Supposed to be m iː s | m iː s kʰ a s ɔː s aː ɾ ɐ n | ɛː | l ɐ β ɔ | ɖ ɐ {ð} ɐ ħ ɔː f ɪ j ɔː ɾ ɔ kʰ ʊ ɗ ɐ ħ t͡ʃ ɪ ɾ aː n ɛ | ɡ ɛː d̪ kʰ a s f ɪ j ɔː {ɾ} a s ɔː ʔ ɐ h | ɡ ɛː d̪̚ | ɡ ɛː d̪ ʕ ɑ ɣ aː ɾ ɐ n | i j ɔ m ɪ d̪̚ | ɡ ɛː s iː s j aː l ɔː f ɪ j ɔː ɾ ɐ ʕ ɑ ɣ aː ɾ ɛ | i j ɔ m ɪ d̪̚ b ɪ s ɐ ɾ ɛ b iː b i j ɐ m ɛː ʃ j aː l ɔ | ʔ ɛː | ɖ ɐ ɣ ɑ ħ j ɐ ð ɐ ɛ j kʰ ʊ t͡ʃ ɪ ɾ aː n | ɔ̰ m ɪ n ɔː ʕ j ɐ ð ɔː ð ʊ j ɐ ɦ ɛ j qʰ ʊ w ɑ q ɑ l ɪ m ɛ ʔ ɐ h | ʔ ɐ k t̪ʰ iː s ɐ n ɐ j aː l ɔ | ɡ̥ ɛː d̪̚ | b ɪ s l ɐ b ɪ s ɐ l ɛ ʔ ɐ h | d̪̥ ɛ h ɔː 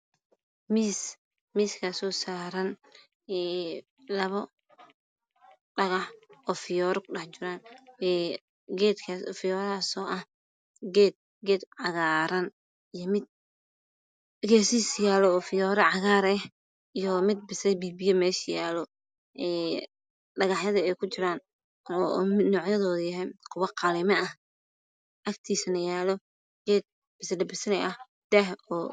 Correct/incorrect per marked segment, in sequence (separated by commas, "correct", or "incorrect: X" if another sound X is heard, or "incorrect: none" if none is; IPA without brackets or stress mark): incorrect: ɣ, correct